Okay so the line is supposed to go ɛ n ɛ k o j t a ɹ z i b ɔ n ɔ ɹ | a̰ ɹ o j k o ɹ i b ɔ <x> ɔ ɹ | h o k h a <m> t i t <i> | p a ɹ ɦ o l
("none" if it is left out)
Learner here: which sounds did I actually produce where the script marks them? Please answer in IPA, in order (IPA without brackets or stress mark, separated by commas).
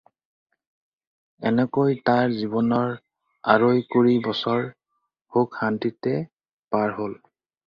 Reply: s, n, ɛ